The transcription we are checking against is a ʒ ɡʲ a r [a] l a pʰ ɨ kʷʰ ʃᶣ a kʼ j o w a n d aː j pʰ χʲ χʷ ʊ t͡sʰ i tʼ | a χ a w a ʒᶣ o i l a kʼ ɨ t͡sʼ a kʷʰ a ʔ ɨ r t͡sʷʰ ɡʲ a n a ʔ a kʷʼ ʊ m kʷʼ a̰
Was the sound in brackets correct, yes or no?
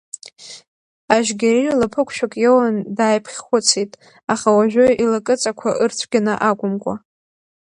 no